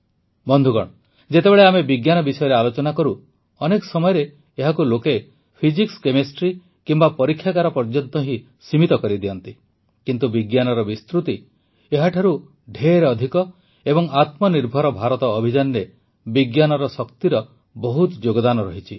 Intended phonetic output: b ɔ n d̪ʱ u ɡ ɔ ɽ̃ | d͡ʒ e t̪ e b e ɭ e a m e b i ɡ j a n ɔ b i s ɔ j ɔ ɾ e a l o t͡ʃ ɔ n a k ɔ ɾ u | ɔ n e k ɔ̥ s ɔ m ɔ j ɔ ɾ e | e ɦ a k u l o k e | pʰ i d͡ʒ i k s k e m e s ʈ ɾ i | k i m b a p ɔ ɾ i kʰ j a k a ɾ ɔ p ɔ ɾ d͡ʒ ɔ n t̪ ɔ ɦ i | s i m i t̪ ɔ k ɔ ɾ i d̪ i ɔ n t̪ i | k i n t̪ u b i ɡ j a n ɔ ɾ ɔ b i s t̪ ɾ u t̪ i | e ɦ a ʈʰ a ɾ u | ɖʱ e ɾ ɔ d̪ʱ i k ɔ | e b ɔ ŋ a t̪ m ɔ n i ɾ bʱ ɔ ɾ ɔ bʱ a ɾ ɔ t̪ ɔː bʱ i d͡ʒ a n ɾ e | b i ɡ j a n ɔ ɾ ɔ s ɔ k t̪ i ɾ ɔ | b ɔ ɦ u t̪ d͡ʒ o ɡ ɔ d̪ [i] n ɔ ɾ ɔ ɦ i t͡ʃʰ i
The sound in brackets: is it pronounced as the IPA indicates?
no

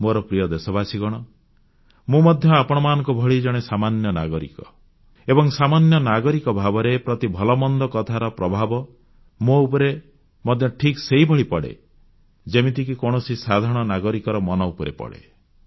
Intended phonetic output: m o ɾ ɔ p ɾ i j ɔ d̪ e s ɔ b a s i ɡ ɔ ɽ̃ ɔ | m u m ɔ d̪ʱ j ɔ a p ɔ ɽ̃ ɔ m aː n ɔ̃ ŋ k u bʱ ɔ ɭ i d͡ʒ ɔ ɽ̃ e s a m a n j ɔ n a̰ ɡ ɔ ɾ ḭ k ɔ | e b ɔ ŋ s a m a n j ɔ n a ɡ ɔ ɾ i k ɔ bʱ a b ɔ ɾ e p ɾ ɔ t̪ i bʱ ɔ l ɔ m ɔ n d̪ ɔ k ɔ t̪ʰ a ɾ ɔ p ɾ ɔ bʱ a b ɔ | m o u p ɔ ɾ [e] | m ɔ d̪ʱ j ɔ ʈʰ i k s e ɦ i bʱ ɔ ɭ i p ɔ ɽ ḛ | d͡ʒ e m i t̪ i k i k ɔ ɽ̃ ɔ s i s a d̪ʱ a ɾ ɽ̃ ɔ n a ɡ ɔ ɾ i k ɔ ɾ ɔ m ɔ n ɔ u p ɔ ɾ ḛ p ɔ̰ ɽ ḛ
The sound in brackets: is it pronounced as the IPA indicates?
yes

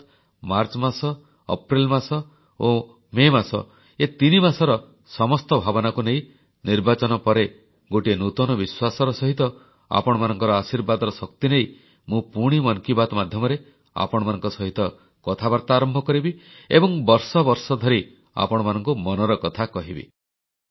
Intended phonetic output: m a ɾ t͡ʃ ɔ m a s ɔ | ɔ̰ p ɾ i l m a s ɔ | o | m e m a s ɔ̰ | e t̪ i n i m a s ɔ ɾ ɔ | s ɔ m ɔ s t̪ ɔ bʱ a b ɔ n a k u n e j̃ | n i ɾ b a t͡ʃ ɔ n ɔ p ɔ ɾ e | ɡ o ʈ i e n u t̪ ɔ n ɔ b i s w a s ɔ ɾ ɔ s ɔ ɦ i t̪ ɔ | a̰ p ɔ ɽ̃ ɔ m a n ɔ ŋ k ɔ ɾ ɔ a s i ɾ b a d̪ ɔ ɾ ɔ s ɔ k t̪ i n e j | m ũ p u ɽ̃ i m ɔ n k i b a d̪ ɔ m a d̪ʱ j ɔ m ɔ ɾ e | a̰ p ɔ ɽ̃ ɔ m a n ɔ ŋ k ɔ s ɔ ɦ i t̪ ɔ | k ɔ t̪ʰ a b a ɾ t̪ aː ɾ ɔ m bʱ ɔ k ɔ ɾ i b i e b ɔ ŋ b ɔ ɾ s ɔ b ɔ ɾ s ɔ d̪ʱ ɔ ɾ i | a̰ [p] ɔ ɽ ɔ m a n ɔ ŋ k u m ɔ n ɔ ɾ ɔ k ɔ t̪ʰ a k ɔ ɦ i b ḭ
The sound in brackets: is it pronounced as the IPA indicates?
yes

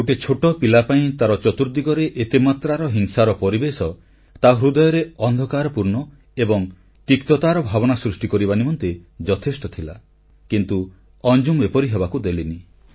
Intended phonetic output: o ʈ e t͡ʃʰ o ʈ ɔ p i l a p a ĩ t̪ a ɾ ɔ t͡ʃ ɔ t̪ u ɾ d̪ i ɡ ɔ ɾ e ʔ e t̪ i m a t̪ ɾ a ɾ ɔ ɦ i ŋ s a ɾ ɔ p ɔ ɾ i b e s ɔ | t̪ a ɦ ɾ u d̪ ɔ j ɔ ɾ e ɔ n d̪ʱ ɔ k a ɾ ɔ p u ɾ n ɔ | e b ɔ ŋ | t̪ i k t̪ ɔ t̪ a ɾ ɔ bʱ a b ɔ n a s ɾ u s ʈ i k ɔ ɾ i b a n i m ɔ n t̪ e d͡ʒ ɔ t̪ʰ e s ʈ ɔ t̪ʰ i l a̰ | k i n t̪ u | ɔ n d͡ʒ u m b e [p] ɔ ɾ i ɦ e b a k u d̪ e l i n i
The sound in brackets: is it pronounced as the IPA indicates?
yes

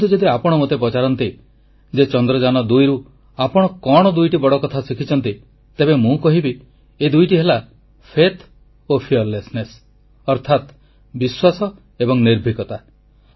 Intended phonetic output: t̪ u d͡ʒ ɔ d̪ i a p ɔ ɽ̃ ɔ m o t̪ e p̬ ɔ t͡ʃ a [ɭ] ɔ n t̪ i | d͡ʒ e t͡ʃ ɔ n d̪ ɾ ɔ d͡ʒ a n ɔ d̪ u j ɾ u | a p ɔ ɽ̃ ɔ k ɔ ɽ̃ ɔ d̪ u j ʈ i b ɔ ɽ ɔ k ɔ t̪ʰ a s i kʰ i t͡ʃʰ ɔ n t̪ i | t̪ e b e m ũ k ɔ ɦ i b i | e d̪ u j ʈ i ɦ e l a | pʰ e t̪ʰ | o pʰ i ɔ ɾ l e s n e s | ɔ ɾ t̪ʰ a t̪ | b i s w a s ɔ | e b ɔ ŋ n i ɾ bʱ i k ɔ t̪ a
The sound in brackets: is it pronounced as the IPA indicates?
no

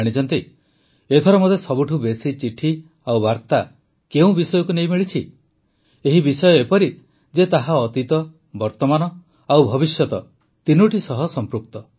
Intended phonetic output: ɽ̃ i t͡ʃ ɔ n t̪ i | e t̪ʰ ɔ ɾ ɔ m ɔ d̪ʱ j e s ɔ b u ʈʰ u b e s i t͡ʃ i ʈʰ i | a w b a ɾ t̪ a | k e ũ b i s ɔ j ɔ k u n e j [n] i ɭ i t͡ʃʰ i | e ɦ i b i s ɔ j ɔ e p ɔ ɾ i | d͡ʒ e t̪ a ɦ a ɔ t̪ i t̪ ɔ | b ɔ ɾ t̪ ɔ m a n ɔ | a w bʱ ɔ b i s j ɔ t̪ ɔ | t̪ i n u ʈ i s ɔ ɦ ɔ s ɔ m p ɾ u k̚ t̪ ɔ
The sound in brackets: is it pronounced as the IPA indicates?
no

